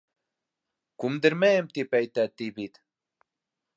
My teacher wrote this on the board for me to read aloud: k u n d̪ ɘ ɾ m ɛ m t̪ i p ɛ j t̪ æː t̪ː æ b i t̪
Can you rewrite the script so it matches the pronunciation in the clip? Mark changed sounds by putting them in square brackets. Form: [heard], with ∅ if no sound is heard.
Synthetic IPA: k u [m] d̪ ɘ ɾ m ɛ m t̪ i p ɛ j t̪ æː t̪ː [i] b i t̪